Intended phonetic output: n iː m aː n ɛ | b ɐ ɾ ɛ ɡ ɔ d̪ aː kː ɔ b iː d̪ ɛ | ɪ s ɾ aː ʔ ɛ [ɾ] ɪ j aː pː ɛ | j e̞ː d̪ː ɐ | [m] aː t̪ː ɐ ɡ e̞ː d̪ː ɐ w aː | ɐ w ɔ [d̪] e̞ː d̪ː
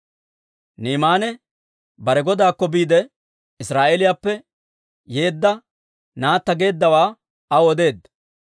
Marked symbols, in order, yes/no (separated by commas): no, no, yes